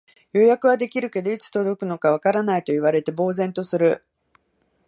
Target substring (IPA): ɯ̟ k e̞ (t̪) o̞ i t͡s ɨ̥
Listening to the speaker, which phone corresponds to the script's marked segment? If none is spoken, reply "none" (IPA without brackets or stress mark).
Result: d̪